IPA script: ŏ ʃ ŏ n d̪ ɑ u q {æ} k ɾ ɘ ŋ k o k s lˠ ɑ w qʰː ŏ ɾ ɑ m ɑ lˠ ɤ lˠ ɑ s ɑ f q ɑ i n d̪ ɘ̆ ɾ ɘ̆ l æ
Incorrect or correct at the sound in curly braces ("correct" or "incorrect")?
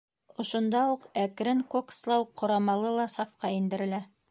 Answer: correct